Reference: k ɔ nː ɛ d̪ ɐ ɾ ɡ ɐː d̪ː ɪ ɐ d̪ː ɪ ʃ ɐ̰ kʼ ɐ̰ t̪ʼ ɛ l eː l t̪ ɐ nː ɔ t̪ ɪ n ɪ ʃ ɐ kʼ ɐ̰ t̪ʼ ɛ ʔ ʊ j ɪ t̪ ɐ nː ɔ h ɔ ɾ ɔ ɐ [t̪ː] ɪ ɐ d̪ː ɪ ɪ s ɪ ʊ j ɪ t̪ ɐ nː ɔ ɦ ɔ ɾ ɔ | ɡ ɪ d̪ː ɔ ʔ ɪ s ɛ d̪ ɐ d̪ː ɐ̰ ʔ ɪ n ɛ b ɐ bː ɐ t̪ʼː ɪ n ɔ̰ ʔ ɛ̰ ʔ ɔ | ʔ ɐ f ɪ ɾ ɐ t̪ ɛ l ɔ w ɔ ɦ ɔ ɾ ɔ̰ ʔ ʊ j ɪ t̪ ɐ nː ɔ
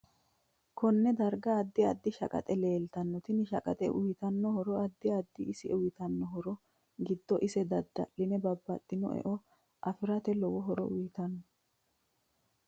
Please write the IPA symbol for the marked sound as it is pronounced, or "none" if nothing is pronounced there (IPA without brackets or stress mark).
d̪ː